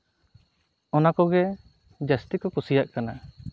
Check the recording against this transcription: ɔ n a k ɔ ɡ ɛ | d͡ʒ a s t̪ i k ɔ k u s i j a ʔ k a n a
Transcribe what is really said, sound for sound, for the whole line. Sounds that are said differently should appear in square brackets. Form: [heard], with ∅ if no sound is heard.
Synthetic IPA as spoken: ɔ n a k ɔ ɡ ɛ | d͡ʒ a s t̪ i k ɔ k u s i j a ʔ k a n a

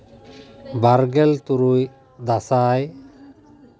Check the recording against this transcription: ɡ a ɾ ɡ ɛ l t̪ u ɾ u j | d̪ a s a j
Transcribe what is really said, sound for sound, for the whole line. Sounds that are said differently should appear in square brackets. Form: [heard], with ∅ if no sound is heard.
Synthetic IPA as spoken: [b] a ɾ ɡ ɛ l t̪ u ɾ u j | d̪ a s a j

